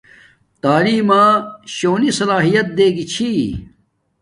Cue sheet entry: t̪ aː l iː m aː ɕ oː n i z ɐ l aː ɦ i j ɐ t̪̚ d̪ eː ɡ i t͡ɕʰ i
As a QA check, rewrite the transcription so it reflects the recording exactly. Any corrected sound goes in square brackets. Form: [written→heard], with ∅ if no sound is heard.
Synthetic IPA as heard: t̪ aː l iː m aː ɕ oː n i [z→s] ɐ l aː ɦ i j ɐ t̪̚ d̪ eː ɡ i t͡ɕʰ i